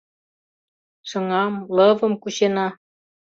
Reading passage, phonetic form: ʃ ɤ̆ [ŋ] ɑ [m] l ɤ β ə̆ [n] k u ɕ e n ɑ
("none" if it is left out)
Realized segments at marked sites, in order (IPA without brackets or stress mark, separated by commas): ŋ, m, m